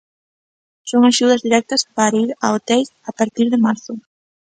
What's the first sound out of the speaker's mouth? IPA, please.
s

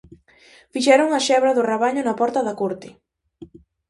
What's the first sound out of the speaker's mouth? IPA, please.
f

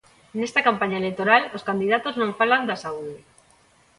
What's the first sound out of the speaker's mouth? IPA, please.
n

